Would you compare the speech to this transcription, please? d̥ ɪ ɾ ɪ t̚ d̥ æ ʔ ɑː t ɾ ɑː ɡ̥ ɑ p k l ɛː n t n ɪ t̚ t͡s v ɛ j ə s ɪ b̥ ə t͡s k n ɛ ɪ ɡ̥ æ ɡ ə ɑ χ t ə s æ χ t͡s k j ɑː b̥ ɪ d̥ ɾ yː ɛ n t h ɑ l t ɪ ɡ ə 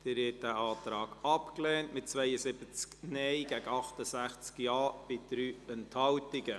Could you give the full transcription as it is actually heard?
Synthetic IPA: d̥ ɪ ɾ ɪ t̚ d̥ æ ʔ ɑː t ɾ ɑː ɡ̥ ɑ p k l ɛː n t m ɪ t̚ t͡s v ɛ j ə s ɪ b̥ ə t͡s k n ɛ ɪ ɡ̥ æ ɡ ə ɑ χ t ə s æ χ t͡s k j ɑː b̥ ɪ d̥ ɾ yː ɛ n t h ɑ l t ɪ ɡ ə